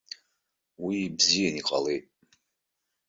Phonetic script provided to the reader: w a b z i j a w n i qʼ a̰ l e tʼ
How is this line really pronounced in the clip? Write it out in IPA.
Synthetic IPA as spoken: w i b z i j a n i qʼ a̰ l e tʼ